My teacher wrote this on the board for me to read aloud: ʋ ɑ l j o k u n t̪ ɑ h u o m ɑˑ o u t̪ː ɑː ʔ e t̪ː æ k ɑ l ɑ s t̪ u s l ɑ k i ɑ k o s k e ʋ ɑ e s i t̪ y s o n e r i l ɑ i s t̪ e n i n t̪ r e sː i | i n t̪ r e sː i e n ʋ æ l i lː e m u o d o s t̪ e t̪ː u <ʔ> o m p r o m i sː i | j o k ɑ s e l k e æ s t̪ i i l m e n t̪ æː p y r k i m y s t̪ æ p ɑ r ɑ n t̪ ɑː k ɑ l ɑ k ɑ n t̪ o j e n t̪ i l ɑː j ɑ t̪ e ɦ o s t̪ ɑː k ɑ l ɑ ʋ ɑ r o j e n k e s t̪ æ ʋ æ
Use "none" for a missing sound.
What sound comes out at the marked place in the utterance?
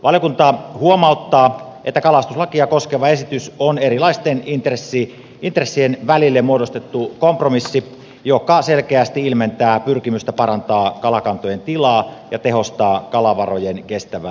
k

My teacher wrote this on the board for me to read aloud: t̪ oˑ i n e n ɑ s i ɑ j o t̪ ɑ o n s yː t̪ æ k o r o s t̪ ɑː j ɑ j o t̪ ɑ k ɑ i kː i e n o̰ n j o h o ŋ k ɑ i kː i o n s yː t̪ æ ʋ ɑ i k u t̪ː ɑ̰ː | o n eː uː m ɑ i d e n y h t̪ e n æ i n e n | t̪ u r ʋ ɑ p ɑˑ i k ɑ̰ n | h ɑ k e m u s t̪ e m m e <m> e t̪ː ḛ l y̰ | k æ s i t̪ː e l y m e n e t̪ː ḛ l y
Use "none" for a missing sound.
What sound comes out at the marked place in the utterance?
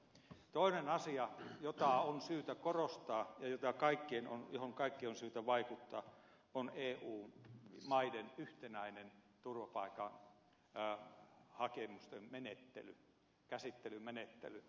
n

